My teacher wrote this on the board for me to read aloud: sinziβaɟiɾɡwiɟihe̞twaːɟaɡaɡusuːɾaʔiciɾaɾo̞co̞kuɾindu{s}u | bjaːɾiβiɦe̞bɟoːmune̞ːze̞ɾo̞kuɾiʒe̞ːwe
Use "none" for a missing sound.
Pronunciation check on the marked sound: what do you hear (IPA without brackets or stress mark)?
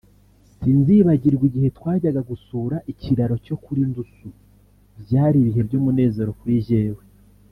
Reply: s